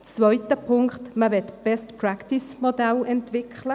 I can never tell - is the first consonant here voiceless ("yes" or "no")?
yes